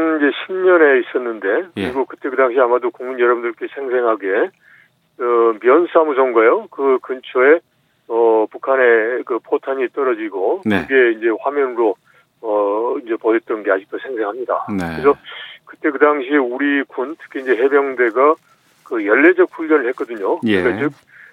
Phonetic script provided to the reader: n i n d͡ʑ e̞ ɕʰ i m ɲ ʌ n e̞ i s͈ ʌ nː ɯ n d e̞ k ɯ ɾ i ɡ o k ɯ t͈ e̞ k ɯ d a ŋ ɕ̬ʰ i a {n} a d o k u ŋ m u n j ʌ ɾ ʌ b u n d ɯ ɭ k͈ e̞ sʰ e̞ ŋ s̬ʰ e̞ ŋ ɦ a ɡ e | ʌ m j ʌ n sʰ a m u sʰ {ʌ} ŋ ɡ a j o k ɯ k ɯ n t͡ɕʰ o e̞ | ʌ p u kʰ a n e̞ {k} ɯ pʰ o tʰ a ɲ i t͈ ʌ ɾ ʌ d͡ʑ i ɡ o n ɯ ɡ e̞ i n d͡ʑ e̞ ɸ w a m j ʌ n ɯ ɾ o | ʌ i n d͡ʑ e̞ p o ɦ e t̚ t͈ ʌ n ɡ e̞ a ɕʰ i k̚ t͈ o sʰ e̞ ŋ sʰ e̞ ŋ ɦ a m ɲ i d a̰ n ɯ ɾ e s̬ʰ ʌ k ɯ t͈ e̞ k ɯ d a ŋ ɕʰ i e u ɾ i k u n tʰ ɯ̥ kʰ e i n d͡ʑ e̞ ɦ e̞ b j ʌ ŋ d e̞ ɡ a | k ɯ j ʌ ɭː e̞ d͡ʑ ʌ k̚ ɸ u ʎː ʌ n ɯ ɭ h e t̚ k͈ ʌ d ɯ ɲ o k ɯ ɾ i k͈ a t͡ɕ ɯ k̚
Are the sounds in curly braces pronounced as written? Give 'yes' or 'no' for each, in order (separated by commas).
no, yes, yes